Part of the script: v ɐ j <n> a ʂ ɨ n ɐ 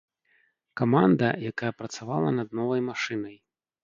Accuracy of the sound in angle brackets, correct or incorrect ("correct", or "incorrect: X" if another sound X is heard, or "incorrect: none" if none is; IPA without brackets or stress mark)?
incorrect: m